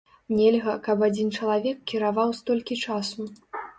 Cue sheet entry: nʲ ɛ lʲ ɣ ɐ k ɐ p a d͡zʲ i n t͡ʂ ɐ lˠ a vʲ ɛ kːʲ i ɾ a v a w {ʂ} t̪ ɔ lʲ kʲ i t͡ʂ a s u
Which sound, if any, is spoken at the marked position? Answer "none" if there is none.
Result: s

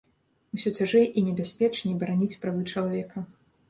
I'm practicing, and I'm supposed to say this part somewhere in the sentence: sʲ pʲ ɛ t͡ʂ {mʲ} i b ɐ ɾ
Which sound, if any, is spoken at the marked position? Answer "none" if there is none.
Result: nʲ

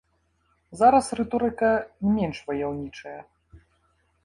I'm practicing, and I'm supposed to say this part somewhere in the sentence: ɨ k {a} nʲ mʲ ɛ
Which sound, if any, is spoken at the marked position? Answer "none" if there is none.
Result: ɐ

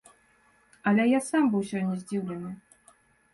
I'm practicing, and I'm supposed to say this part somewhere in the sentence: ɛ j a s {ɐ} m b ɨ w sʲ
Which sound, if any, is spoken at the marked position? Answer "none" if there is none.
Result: a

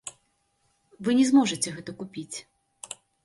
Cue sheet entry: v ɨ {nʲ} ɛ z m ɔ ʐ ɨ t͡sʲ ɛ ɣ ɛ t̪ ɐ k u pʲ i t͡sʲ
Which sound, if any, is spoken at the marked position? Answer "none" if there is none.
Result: nʲ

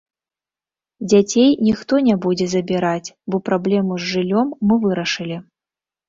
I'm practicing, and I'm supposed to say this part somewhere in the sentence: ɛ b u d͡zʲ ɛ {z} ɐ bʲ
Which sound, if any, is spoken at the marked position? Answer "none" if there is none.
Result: z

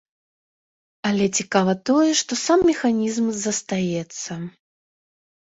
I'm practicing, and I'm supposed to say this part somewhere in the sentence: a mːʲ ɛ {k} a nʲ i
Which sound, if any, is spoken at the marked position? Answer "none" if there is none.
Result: x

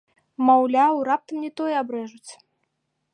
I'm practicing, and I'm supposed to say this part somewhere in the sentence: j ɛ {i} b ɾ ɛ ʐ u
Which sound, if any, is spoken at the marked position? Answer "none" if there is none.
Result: a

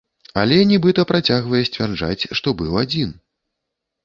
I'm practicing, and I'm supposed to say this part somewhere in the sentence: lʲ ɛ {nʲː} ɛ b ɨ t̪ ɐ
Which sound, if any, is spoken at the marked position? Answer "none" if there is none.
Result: nʲ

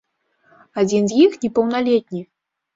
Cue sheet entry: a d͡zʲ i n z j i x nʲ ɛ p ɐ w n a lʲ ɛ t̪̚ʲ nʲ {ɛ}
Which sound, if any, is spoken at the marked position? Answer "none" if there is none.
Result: i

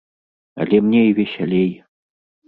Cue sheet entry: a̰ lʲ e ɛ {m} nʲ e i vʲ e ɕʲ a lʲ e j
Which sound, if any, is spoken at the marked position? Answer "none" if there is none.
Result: m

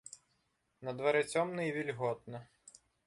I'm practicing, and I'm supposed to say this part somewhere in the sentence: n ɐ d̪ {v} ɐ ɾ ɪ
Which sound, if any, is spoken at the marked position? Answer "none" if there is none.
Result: ʋ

